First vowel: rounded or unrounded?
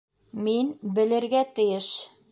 unrounded